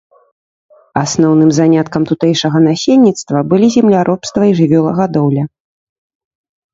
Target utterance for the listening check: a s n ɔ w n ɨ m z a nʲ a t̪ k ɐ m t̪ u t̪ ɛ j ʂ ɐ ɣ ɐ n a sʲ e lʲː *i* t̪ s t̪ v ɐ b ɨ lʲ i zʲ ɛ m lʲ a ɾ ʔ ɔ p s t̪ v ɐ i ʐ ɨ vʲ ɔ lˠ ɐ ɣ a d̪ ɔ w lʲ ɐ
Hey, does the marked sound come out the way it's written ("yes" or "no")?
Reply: yes